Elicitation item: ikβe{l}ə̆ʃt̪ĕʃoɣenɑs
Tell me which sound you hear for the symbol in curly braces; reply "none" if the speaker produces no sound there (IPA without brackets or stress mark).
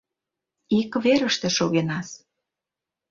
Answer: ɾ